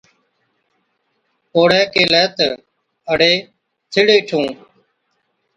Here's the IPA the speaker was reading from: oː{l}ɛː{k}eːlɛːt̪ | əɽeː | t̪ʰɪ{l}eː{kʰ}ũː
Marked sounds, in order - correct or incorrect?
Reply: incorrect: ɽ, correct, incorrect: ɽ, incorrect: ʈʰ

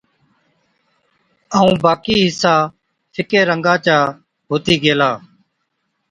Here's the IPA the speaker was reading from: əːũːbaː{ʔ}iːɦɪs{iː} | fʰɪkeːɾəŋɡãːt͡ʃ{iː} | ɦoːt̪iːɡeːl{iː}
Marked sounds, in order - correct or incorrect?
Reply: incorrect: k, incorrect: aː, incorrect: aː, incorrect: aː

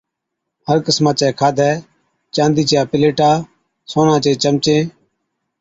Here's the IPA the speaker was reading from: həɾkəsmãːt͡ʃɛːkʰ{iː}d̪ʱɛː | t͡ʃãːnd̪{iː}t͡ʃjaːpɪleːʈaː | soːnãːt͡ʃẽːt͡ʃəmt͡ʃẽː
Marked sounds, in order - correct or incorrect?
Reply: incorrect: aː, correct

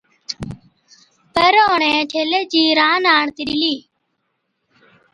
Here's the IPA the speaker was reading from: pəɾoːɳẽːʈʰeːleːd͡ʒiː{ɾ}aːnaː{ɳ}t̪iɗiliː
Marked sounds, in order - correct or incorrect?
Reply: correct, correct

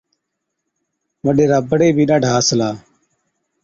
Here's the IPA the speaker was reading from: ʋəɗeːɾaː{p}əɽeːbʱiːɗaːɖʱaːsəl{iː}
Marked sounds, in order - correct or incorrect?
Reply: incorrect: b, incorrect: aː

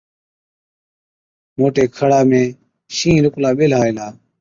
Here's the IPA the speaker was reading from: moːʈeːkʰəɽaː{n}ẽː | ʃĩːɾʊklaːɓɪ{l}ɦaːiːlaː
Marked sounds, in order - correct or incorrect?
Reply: incorrect: m, correct

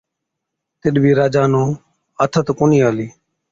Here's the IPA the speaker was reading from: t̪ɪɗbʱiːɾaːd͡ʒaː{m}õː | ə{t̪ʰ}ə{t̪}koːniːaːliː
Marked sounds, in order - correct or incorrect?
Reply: incorrect: n, correct, correct

